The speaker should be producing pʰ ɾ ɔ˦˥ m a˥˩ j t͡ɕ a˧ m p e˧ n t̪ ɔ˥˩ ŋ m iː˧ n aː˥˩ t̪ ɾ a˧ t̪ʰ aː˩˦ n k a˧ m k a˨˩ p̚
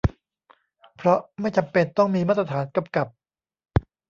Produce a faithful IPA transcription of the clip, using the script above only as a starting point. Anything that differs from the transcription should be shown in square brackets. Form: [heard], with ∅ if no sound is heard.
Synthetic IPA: pʰ ɾ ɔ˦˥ m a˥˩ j t͡ɕ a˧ m p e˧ n t̪ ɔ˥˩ ŋ m iː˧ [m] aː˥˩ t̪ ɾ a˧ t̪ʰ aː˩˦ n k a˧ m k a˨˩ p̚